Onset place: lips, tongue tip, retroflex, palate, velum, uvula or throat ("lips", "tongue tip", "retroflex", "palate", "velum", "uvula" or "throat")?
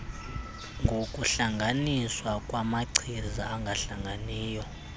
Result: velum